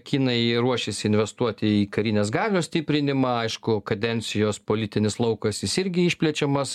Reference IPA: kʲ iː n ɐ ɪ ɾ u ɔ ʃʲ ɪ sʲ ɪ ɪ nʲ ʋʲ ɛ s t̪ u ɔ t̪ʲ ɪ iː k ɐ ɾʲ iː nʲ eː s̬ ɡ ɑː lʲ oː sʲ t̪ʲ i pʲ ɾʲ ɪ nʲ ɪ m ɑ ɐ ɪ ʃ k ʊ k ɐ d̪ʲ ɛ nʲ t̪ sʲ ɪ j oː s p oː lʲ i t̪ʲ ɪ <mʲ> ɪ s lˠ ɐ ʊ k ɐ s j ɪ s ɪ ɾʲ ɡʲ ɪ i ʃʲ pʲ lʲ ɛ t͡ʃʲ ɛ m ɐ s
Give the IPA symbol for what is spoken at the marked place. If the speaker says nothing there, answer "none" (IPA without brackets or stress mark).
nʲ